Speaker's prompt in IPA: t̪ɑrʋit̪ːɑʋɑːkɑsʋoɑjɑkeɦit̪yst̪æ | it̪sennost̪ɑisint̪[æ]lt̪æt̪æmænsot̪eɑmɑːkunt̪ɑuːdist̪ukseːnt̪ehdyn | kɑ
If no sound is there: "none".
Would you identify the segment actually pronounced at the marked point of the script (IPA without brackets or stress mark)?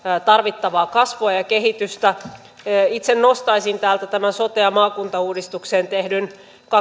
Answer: æː